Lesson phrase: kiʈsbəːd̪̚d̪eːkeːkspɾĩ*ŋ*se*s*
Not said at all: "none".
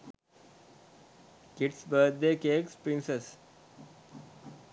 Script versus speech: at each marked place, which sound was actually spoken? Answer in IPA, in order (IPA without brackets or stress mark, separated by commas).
n, s